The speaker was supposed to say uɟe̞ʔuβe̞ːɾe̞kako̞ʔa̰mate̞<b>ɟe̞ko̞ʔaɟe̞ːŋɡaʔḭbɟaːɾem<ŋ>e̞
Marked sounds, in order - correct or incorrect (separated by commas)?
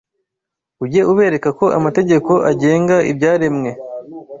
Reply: incorrect, correct